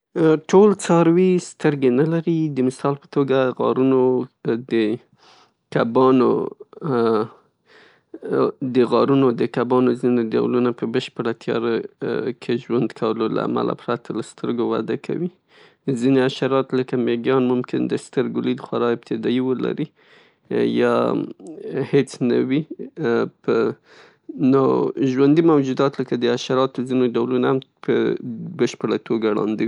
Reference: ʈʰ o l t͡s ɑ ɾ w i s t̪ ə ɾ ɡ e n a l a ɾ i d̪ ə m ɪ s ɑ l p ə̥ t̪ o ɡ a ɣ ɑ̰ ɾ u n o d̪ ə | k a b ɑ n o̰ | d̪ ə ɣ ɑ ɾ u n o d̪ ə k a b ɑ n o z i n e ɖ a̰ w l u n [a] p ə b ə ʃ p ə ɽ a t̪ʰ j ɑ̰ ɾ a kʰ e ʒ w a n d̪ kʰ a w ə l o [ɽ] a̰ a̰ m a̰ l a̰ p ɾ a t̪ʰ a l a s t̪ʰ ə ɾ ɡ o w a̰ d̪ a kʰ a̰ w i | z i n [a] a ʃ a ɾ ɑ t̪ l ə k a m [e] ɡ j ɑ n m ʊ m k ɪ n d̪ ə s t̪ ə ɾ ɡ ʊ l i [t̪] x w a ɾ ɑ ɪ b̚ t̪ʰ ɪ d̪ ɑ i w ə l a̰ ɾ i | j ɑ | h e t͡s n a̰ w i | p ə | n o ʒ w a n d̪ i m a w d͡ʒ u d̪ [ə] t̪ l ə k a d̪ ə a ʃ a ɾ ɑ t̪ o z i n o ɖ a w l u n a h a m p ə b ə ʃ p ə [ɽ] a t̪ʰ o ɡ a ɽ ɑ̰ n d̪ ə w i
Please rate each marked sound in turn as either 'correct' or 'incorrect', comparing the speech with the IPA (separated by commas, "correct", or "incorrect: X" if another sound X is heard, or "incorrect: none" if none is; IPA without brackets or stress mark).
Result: correct, incorrect: l, incorrect: e, correct, incorrect: d̪, incorrect: ɑ, correct